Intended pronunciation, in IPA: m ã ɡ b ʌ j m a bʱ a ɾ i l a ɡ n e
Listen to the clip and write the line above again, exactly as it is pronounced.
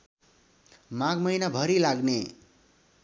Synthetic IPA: m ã ɡ m ʌ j n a bʱ ʌ ɾ i l a ɡ n e